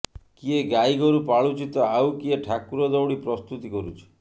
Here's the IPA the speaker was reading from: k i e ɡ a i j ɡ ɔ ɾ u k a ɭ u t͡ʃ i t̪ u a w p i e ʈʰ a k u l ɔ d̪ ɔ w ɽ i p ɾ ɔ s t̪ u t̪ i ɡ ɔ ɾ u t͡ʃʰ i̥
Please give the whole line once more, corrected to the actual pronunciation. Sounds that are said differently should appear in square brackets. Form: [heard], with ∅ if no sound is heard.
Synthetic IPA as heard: k i e ɡ a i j ɡ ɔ ɾ u [p] a ɭ u t͡ʃ i t̪ [ɔ] a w [k] i e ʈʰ a k u [ɾ] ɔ d̪ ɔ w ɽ i p ɾ ɔ s t̪ u t̪ i [k] ɔ ɾ u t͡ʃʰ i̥